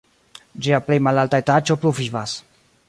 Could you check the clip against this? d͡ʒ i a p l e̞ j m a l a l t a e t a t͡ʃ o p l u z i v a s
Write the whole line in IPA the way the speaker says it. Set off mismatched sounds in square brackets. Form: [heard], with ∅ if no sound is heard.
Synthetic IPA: d͡ʒ i a p l e̞ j m a l a l t a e t a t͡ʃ o p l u [v] i v a s